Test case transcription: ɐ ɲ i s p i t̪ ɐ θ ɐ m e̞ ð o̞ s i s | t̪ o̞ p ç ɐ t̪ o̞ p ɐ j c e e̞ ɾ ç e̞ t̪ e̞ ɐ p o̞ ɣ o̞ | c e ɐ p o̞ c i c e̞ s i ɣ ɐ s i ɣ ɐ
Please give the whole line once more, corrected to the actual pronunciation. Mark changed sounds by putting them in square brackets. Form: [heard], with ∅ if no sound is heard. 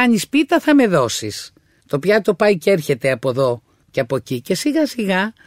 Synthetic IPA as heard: ɐ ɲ i s p i t̪ ɐ θ ɐ m e̞ ð o̞ s i s | t̪ o̞ p ç ɐ t̪ o̞ p ɐ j c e e̞ ɾ ç e̞ t̪ e̞ ɐ p o̞ [ð] o̞ | c e ɐ p o̞ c i c e̞ s i ɣ ɐ s i ɣ ɐ